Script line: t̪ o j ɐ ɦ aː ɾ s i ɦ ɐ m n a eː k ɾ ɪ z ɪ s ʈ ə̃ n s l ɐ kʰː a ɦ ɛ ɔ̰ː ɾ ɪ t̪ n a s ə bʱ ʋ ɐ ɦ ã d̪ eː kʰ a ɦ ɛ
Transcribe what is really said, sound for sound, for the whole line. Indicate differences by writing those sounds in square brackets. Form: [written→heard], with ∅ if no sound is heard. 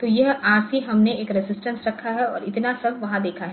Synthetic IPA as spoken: t̪ o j ɐ ɦ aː ɾ s i ɦ ɐ m n [a→e] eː k ɾ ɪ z ɪ s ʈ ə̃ n s [l→ɾ] ɐ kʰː a ɦ ɛ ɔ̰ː ɾ ɪ t̪ n a s [ə→ɐ] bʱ ʋ ɐ ɦ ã d̪ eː kʰ a ɦ ɛ